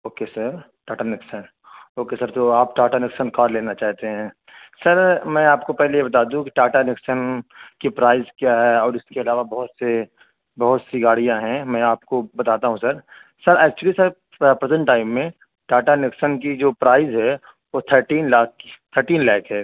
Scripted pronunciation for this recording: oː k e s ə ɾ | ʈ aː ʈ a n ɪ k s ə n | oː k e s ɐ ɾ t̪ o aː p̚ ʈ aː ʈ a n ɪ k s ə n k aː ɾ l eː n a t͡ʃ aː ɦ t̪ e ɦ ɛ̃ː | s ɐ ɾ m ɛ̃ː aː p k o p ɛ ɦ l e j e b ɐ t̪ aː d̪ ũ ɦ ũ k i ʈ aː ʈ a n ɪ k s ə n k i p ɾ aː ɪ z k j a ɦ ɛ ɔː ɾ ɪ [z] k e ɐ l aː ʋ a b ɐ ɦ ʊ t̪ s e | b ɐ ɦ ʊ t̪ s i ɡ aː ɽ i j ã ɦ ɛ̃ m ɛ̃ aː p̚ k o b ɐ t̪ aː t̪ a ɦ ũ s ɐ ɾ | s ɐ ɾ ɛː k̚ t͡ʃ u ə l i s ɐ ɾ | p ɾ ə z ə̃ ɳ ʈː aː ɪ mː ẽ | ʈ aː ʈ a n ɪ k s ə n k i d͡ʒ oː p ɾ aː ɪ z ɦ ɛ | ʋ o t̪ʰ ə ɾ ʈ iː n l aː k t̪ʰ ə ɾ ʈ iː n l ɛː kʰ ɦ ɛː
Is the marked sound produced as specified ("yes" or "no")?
no